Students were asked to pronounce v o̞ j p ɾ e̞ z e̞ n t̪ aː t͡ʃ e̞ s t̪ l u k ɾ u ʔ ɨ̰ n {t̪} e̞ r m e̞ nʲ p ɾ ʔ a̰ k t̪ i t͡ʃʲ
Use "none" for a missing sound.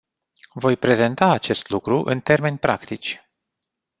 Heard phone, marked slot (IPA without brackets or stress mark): t̪